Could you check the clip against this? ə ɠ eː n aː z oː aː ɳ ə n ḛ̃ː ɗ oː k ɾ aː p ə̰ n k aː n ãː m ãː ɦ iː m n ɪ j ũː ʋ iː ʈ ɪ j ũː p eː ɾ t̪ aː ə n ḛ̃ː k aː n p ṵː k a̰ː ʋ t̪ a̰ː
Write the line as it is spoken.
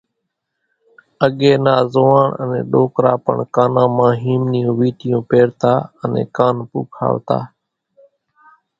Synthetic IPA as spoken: ə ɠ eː n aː z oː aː ɳ ə n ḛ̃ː ɗ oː k ɾ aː p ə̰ ɳ k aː n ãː m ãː ɦ iː m n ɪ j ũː ʋ iː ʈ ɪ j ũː p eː ɾ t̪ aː ə n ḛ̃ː k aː n p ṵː kʰ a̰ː ʋ t̪ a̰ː